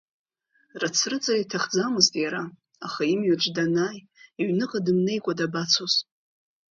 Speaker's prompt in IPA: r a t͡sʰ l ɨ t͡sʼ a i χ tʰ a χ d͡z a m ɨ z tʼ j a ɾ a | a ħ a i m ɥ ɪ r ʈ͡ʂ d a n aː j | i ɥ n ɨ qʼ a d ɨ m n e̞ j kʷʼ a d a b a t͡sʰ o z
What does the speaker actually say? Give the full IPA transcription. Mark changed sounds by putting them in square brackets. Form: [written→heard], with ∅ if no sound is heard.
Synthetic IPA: r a t͡sʰ [l→r] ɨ t͡sʼ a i [χ→∅] tʰ a χ d͡z a m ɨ z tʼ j a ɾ a | a [ħ→χ] a i m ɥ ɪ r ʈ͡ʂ d a n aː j | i ɥ n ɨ qʼ a d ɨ m n e̞ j kʷʼ a d a b a t͡sʰ o z